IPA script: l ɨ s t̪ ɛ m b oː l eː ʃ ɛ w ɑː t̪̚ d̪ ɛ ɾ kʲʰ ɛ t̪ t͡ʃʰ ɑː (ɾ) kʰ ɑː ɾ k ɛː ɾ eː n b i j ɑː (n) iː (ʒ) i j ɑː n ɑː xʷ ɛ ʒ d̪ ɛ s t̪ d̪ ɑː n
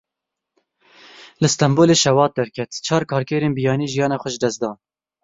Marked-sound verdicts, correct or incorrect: correct, correct, correct

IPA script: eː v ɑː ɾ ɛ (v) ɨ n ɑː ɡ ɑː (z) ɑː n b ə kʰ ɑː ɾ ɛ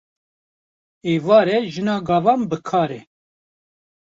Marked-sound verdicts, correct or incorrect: incorrect: ʒ, incorrect: v

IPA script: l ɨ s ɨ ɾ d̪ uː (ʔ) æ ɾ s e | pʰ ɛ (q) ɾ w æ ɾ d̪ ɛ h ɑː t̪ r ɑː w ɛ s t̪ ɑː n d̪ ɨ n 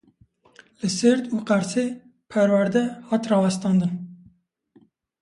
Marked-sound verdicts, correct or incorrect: incorrect: q, incorrect: none

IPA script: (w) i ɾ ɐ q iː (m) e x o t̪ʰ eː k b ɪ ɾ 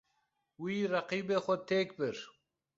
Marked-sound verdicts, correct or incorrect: correct, incorrect: b

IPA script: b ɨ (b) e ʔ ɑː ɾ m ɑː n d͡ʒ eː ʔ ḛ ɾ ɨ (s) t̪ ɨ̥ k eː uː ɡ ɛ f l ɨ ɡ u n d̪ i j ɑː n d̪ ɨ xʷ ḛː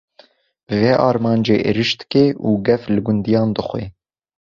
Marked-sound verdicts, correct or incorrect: incorrect: v, incorrect: ʃ

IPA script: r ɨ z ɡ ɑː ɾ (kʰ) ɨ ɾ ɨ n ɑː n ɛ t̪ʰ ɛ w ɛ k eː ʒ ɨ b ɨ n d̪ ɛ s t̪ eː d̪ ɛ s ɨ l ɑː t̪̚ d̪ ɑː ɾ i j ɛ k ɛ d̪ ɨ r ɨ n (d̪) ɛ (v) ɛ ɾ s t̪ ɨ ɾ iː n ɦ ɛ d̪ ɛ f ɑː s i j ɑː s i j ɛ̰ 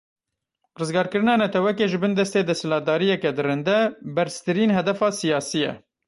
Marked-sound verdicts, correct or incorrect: incorrect: k, correct, incorrect: b

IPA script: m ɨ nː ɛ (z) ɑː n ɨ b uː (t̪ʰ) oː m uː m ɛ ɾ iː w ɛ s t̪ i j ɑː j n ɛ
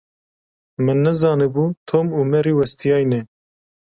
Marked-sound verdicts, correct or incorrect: correct, correct

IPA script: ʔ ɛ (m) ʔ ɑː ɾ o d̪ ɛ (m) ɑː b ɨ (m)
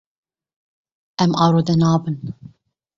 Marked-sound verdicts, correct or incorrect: correct, incorrect: n, incorrect: n

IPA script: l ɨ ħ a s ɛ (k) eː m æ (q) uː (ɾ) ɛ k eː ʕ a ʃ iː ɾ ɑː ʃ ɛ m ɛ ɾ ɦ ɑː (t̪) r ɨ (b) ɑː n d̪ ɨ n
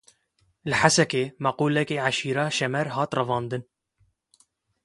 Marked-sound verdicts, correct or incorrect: correct, correct, incorrect: l, correct, incorrect: v

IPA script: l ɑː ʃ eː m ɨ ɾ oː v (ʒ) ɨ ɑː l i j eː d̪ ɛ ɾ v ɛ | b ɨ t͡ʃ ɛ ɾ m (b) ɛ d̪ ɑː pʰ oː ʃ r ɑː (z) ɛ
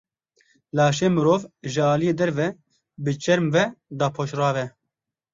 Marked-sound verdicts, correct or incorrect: correct, incorrect: v, incorrect: v

